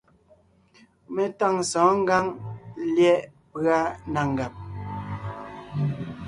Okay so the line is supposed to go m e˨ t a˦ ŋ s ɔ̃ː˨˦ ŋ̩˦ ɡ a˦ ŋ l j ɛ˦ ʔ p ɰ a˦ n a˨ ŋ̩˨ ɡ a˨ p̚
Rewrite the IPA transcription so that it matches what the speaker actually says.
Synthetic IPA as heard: m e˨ t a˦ ŋ s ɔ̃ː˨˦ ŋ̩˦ ɡ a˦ ŋ l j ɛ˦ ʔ p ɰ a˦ n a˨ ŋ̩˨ ɡ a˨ p̚